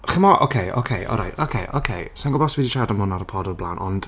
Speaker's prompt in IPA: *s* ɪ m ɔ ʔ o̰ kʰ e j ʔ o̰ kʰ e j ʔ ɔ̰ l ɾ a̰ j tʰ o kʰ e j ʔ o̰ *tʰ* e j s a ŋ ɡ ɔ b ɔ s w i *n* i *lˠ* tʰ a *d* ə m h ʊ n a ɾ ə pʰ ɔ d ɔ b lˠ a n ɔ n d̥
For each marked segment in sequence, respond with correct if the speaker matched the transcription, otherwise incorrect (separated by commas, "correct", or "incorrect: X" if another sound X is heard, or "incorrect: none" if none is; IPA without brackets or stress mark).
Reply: incorrect: χ, incorrect: kʰ, incorrect: d, incorrect: none, correct